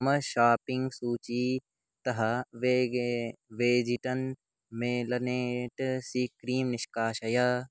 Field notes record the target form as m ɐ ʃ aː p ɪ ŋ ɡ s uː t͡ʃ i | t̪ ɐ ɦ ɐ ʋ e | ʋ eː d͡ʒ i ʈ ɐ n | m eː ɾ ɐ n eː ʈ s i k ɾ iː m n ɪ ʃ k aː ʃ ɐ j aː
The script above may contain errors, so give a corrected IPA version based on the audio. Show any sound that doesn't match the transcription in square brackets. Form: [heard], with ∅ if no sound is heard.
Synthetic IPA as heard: m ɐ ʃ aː p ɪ ŋ ɡ s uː t͡ʃ i | t̪ ɐ ɦ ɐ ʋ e | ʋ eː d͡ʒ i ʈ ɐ n | m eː [l] ɐ n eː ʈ s i k ɾ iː m n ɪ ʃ k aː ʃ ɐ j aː